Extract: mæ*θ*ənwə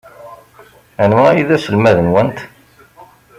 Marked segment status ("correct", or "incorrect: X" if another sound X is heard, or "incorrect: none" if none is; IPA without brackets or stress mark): incorrect: ð